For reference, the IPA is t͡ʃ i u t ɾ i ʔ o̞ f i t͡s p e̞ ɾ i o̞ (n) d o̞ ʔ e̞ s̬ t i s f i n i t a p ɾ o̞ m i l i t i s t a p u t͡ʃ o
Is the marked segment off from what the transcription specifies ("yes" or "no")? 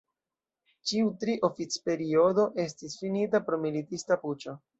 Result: yes